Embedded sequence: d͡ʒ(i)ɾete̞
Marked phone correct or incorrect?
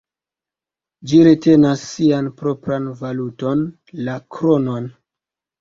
correct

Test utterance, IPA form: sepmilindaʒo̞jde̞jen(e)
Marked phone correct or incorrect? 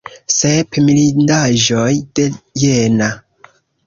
incorrect: a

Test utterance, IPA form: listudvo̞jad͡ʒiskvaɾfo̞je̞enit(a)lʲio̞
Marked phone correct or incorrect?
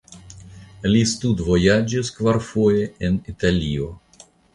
correct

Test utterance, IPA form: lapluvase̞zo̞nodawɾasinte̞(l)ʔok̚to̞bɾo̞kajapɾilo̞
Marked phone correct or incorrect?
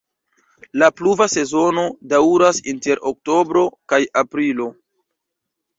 incorrect: ɾ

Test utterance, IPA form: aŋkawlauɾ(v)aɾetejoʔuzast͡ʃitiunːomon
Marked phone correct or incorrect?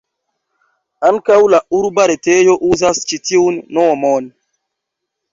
incorrect: b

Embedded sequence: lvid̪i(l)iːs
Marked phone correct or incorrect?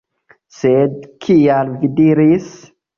incorrect: ɾ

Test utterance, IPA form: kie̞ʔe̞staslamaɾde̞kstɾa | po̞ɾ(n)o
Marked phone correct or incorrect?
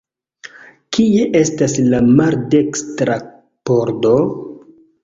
incorrect: d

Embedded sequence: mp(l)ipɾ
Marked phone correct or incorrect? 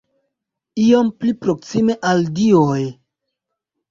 correct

